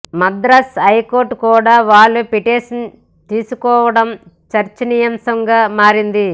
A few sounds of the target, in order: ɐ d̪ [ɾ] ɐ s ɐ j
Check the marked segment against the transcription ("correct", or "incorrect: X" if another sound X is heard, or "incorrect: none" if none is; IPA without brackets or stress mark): correct